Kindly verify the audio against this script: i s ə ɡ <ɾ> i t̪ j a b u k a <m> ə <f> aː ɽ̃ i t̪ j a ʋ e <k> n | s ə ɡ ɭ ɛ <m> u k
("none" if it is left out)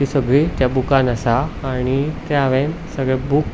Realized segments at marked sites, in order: ɭ, n, s, none, b

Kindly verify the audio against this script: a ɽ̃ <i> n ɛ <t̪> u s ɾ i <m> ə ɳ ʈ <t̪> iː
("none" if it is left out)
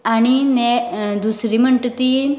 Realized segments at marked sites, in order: i, d̪, m, t̪

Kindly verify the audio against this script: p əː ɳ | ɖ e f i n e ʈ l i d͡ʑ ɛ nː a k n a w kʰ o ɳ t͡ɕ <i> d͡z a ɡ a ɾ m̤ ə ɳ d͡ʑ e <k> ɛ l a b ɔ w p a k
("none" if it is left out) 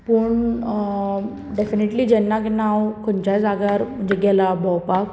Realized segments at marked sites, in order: a, ɡ

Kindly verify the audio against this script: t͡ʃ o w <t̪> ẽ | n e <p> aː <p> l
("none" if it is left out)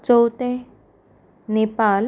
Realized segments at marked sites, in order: t̪, p, none

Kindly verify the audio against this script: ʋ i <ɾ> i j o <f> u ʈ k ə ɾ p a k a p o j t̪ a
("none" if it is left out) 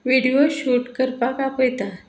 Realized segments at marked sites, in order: ɽ, ɕ

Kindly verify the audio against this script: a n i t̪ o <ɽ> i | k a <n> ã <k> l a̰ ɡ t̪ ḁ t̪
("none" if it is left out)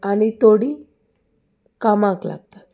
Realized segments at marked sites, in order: ɽ, m, k

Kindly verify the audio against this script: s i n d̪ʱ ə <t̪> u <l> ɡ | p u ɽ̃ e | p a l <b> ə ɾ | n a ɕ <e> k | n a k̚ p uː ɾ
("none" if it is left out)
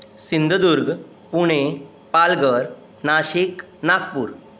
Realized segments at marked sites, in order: d̪, ɾ, ɡ, i

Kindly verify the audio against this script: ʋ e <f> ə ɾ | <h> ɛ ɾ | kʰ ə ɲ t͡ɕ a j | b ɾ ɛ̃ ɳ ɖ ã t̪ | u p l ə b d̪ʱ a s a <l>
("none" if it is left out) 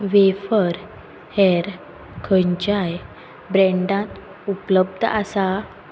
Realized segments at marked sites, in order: f, h, none

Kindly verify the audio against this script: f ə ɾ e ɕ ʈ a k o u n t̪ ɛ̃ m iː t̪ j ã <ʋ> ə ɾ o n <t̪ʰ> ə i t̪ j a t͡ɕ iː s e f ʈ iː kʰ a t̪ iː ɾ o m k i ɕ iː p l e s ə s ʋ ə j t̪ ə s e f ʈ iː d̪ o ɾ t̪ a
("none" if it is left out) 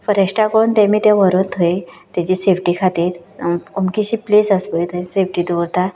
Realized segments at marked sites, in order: ʋ, t̪ʰ

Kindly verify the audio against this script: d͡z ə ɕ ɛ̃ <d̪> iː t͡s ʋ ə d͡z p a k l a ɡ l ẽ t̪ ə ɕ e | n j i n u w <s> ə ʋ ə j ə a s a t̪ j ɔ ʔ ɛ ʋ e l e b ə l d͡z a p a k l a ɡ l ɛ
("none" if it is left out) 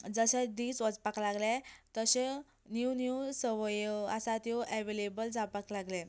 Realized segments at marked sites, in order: d̪, s

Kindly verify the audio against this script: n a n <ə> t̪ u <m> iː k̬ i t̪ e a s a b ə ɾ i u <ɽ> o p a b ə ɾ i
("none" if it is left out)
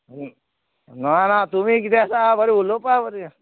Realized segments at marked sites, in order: a, m, l

